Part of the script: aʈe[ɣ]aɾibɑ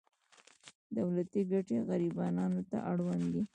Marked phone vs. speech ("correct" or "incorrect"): correct